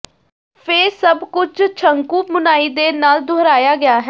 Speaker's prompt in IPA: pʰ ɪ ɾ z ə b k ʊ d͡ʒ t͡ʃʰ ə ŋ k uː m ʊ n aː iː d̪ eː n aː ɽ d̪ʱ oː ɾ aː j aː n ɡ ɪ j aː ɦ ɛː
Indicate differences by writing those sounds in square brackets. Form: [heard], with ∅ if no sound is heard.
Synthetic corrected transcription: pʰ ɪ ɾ [s] ə b k ʊ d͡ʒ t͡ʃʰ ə ŋ k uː m ʊ n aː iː d̪ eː n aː [l] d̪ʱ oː ɾ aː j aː [∅] ɡ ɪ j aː ɦ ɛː